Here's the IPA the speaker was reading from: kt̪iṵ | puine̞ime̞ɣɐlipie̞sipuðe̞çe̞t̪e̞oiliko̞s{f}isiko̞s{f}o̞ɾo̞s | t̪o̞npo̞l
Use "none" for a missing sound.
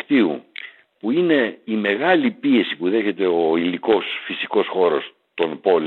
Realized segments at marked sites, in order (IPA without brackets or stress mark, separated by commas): f, x